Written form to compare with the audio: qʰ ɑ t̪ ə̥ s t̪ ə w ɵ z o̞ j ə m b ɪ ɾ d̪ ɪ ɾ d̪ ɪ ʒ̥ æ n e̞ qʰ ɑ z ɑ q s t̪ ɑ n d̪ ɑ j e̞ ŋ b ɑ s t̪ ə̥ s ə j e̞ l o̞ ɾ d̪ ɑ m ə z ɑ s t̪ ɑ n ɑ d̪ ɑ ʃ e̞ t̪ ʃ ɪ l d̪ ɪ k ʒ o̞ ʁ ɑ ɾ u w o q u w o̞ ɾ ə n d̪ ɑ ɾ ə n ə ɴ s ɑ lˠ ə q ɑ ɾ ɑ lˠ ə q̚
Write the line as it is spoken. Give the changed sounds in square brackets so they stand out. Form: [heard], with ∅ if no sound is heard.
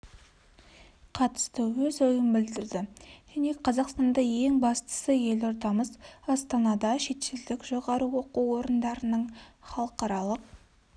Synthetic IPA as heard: qʰ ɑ t̪ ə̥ s t̪ ə w ɵ z o̞ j ə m b ɪ [l] d̪ ɪ ɾ d̪ ɪ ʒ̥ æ n e̞ qʰ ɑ z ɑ q s t̪ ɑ n d̪ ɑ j e̞ ŋ b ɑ s t̪ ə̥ s ə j e̞ l o̞ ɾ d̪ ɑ m ə z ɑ s t̪ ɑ n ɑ d̪ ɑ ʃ e̞ t̪ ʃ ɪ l d̪ ɪ k ʒ o̞ ʁ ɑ ɾ u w o q u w o̞ ɾ ə n d̪ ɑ ɾ ə n ə ɴ [χ] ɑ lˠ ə q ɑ ɾ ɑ lˠ ə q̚